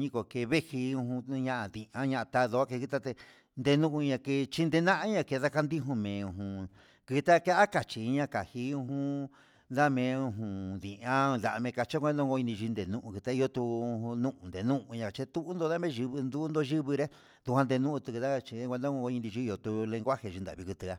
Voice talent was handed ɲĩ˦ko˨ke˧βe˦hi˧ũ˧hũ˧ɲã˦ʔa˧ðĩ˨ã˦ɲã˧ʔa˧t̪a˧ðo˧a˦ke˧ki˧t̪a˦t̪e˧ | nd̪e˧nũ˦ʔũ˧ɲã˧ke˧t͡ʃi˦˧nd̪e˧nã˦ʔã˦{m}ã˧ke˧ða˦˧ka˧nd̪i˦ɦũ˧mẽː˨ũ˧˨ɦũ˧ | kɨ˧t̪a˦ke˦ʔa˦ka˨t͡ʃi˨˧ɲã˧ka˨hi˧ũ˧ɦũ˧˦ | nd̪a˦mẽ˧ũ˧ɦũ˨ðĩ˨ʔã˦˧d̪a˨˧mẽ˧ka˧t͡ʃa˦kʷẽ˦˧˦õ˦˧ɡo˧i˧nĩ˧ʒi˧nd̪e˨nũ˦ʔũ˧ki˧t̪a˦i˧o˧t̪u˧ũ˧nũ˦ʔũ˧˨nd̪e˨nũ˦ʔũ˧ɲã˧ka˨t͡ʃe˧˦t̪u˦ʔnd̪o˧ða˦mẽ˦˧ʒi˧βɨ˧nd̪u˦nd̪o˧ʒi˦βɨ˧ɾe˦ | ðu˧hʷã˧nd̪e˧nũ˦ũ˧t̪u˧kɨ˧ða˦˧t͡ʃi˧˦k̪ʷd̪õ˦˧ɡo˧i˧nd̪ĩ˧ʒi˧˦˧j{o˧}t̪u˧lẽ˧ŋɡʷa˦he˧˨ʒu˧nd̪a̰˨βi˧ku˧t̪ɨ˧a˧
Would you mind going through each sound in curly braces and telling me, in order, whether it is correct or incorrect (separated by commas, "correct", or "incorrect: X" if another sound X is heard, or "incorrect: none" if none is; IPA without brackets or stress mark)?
incorrect: ɲ, correct